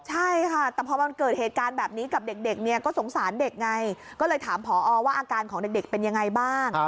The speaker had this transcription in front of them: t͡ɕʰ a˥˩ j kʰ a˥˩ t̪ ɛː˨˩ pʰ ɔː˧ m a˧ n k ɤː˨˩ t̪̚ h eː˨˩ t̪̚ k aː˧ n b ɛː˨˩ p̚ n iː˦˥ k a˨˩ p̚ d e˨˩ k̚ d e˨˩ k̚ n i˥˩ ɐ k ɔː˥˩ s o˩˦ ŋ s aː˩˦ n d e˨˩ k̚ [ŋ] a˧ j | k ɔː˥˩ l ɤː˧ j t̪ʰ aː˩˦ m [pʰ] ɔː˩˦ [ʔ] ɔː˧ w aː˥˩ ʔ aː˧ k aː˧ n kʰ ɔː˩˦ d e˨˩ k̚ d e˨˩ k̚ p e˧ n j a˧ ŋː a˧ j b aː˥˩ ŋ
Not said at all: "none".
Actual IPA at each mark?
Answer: ŋ, pʰ, ʔ

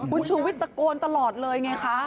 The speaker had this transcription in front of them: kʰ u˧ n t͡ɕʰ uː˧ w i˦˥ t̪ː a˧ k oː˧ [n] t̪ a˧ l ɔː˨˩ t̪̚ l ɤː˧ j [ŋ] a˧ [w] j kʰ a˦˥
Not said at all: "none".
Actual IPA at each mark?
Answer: n, ŋ, none

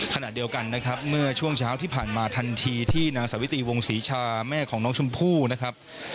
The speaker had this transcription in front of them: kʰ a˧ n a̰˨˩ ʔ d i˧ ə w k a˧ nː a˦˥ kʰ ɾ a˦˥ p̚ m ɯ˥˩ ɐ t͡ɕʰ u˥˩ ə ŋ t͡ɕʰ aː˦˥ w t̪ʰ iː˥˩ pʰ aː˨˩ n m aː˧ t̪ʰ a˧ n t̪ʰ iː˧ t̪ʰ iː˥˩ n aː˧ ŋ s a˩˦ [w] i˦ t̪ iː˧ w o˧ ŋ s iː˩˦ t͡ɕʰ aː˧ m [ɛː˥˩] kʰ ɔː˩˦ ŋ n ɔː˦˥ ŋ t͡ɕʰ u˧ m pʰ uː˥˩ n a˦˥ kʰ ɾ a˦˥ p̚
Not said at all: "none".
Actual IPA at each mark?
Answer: w, ɛː˥˩

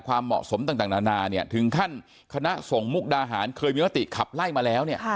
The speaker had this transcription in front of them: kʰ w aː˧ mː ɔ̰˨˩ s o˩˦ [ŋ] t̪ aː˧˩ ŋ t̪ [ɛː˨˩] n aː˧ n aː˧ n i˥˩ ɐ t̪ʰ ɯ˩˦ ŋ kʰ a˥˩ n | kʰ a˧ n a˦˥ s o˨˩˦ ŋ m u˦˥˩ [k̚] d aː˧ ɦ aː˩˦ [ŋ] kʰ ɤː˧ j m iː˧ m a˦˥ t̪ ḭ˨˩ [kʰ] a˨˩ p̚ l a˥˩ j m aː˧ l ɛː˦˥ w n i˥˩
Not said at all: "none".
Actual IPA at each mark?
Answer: m, aː˨˩, k̚, n, kʰ

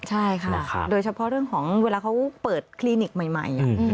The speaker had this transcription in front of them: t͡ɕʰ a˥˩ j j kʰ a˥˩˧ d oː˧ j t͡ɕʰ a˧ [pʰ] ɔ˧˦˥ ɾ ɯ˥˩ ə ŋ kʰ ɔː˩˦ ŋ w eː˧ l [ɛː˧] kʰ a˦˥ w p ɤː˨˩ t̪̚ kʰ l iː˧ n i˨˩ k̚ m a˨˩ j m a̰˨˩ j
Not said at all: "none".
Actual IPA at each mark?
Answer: pʰ, aː˧

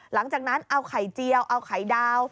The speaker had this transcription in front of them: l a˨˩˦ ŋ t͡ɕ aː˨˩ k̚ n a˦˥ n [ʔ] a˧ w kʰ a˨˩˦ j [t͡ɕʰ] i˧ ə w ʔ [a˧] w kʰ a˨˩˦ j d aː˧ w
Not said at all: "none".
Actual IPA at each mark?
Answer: ʔ, t͡ɕ, a˧

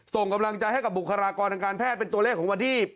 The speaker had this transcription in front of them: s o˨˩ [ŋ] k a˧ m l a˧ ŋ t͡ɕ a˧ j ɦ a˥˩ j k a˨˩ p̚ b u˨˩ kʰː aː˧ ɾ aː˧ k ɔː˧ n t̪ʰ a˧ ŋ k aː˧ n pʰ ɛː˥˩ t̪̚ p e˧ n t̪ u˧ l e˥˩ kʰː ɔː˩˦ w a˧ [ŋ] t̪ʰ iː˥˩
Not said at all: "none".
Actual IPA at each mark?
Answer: ŋ, n

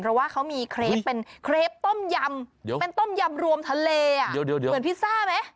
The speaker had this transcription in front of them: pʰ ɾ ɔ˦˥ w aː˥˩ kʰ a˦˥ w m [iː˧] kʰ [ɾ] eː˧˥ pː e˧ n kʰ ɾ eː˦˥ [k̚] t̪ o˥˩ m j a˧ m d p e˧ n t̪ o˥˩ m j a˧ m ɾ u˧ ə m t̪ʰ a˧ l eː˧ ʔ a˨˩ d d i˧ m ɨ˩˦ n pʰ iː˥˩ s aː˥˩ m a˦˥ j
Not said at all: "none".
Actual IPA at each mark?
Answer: iː˧, ɾ, p̚

